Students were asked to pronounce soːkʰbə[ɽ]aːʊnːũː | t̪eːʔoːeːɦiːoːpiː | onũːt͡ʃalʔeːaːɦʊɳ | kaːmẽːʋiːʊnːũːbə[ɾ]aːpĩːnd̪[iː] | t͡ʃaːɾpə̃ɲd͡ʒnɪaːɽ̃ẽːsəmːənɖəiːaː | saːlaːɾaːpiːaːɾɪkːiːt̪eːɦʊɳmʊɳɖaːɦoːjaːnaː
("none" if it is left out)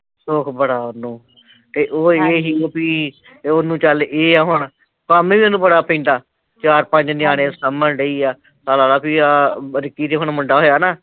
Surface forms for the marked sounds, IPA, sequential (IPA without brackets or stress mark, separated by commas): ɽ, ɽ, aː